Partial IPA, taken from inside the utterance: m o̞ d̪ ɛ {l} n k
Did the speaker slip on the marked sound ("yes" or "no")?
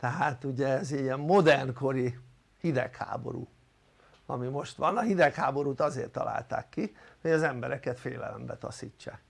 yes